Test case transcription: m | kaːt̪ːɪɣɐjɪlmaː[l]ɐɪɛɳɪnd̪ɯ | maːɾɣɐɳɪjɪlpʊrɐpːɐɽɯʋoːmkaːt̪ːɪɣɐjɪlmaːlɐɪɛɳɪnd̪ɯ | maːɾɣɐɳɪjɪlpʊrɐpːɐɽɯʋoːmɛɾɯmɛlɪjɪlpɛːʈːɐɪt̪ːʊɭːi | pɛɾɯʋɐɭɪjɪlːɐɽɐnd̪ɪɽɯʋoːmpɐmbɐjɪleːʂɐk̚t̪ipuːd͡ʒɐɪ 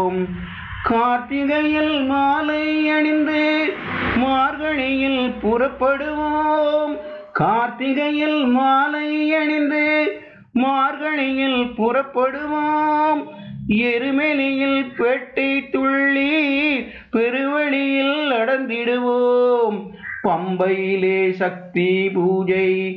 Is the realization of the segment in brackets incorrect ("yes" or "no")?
no